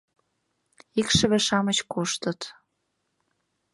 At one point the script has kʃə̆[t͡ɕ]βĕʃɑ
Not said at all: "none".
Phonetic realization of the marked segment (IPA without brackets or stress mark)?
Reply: none